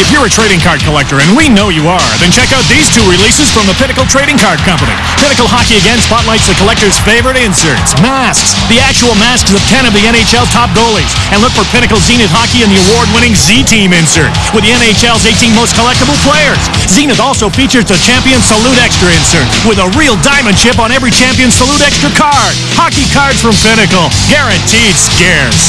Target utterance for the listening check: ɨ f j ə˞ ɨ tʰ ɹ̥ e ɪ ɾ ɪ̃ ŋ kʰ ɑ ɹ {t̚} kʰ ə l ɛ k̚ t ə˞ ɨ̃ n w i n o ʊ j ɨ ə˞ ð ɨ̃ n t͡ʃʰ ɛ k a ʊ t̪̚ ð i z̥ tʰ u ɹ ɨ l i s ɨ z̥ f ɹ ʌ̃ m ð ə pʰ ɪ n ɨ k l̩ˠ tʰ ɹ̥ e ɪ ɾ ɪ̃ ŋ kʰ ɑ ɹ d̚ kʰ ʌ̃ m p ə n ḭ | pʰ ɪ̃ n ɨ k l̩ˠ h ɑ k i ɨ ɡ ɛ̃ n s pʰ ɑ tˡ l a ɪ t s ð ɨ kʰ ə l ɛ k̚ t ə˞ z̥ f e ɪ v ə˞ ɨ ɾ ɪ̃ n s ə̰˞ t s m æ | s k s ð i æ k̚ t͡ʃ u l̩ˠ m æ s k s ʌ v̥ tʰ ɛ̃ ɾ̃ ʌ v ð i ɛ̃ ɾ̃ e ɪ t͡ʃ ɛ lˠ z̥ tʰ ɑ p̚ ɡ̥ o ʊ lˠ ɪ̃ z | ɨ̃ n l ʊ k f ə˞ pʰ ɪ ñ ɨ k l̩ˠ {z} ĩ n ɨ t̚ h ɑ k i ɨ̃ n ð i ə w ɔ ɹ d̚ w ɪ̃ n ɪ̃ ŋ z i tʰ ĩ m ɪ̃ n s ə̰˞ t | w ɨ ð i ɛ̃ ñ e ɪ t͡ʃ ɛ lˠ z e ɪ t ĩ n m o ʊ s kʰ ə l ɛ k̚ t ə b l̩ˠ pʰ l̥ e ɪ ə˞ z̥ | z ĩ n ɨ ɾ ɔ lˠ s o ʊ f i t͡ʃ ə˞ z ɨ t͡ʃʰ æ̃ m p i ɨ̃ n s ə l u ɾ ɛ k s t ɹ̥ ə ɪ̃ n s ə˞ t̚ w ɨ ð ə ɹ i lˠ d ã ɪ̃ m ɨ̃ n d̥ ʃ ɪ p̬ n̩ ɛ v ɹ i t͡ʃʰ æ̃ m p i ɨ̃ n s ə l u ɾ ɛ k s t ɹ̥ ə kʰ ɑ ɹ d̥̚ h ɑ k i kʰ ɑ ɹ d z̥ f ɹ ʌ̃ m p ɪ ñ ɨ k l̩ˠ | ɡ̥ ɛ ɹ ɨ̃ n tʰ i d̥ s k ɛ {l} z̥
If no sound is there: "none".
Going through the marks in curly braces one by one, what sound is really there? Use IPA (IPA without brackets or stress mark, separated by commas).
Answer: d̚, z, ɹ